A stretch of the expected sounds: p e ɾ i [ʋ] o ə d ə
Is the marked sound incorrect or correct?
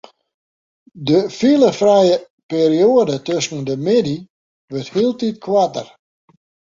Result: incorrect